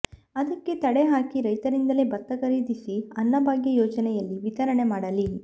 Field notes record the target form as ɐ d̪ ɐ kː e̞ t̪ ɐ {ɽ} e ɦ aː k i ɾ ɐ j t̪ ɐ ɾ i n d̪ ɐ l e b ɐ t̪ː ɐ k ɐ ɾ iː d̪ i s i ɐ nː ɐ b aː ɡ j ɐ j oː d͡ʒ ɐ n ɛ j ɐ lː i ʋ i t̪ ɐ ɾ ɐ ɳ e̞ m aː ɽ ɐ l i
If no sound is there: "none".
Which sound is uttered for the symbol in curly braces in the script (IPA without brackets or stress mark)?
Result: ɽ